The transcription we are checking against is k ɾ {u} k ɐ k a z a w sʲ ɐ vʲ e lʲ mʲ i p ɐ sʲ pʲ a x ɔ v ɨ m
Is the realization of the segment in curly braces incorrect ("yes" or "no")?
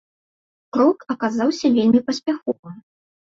yes